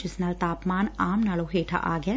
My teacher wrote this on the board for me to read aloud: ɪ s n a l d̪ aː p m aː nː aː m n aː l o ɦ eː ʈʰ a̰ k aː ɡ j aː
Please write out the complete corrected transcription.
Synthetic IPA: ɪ s n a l t̪ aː p m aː n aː m n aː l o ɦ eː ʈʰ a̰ ʔ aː ɡ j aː